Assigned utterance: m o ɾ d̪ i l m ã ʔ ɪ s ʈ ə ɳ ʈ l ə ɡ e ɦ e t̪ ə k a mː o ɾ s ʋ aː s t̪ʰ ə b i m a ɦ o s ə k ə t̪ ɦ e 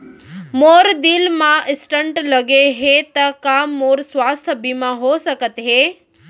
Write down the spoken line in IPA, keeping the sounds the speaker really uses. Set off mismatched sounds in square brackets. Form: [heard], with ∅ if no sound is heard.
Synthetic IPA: m o ɾ d̪ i l m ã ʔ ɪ s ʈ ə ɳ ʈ l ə ɡ e ɦ e t̪ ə k a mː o ɾ s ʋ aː s t̪ʰ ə b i m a ɦ o s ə k ə t̪ ɦ e